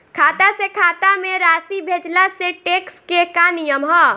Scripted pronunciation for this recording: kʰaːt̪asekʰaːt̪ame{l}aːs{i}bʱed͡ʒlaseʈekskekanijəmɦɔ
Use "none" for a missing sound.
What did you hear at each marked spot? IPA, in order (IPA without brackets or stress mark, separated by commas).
ɾ, i